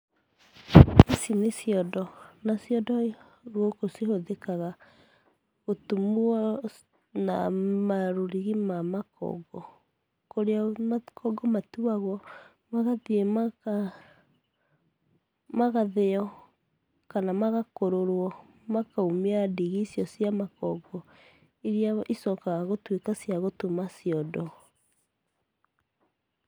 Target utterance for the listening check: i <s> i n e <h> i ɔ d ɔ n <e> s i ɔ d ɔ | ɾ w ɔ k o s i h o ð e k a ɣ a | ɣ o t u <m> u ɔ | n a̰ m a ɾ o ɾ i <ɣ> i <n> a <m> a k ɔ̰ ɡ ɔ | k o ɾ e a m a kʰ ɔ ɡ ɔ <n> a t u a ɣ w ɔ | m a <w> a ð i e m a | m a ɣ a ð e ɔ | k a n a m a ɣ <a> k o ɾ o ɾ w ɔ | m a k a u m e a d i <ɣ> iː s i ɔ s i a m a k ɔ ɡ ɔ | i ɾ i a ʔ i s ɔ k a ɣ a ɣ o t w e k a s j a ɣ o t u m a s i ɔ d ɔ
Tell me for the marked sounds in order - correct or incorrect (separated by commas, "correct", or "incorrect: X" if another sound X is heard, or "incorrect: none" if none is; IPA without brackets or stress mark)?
correct, incorrect: s, incorrect: a, correct, correct, incorrect: m, correct, incorrect: m, incorrect: ɣ, correct, correct